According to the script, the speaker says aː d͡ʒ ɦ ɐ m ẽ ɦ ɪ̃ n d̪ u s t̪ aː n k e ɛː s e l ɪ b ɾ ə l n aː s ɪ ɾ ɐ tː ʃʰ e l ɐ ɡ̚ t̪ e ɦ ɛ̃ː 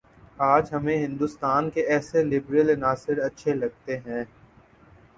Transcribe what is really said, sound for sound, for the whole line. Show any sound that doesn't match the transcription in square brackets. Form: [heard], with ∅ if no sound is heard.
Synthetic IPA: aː d͡ʒ ɦ ɐ m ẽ ɦ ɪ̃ n d̪ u s t̪ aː n k e ɛː s e l ɪ b ɾ ə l n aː s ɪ ɾ ɐ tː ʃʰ e l ɐ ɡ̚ t̪ e ɦ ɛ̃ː